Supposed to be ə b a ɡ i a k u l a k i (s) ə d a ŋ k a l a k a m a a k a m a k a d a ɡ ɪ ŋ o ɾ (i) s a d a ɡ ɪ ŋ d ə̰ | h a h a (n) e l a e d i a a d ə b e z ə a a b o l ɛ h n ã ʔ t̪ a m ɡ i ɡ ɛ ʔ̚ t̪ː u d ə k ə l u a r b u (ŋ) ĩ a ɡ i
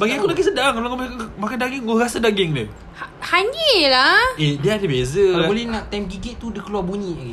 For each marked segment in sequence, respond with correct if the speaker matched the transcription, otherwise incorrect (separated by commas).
correct, incorrect, incorrect, incorrect